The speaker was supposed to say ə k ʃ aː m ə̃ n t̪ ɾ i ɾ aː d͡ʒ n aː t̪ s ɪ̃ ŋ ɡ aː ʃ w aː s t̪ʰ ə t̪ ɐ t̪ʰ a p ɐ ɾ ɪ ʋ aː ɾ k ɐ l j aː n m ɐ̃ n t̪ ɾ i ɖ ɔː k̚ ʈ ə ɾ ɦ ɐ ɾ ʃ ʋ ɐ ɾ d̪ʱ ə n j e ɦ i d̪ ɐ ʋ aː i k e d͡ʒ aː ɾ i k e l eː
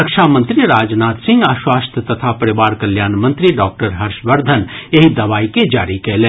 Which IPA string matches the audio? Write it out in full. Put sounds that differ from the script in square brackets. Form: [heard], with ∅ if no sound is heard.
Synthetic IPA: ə k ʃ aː m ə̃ n t̪ ɾ i ɾ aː d͡ʒ n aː t̪ s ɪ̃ ŋ ɡ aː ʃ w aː s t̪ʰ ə t̪ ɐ t̪ʰ a p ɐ ɾ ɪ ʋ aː ɾ k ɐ l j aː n m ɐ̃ n t̪ ɾ i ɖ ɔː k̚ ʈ ə ɾ ɦ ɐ ɾ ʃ ʋ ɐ ɾ d̪ʱ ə n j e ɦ i d̪ ɐ ʋ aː i k e d͡ʒ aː ɾ i k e l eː